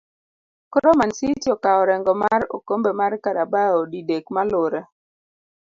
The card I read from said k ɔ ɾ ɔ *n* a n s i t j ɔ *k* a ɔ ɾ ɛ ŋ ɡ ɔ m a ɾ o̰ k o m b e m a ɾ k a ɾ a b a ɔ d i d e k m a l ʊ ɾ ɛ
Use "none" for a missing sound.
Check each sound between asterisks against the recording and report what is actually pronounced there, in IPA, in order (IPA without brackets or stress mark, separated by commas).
m, k